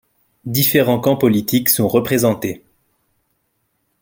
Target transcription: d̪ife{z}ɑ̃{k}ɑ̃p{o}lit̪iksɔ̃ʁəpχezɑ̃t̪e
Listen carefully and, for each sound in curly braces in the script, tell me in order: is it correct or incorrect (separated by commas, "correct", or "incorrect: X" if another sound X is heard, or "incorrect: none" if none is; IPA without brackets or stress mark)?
incorrect: ʁ, correct, incorrect: ɔ